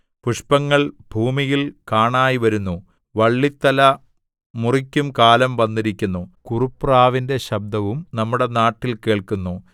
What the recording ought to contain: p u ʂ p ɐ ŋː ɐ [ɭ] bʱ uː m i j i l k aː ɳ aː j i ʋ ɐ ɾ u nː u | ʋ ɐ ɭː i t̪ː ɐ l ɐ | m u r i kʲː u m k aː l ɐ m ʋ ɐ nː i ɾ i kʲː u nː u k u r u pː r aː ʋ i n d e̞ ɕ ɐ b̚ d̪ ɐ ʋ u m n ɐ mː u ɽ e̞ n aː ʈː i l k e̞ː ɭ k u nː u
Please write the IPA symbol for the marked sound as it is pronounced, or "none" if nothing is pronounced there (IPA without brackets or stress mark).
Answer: ɭ